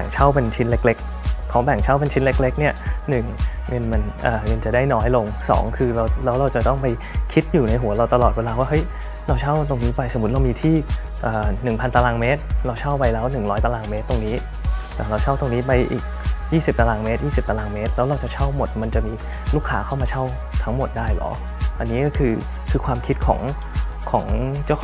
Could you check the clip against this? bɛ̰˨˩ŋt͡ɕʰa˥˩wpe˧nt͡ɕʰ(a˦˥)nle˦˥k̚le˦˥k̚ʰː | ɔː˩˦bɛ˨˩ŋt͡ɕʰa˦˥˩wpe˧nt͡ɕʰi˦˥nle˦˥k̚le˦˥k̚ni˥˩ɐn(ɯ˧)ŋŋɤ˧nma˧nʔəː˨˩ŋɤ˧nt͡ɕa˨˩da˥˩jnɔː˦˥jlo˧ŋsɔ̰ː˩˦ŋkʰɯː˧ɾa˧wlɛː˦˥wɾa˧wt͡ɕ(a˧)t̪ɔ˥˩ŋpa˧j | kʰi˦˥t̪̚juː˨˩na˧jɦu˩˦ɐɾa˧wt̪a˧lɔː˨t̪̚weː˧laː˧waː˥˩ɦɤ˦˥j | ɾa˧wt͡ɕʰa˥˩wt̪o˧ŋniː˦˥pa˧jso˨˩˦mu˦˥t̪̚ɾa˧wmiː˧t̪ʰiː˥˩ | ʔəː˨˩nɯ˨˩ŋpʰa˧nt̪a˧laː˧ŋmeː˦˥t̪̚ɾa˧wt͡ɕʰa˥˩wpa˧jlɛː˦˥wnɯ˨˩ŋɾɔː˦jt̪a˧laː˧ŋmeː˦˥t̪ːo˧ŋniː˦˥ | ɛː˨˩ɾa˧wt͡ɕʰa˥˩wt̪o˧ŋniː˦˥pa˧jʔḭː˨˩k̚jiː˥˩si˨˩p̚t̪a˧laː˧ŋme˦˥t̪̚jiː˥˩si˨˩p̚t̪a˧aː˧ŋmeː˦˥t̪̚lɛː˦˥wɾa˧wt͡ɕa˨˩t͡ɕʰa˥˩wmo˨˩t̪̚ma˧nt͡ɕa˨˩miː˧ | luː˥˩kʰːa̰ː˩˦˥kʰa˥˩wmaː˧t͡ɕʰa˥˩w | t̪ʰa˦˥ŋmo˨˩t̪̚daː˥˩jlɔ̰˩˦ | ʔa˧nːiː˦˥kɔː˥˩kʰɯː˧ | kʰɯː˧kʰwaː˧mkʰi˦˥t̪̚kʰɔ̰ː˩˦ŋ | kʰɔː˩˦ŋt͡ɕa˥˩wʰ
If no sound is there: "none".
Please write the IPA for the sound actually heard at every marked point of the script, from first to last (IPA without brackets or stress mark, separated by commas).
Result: i˦˥, ɯ˨˩, a˨˩